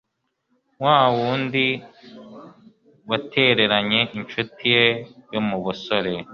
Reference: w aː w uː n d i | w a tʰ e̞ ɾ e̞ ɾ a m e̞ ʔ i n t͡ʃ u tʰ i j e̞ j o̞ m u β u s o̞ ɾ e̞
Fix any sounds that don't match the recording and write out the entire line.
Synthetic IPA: w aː w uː n d i | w a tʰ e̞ ɾ e̞ ɾ a ɲ e̞ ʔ i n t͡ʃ u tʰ i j e̞ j o̞ m u β u s o̞ ɾ e̞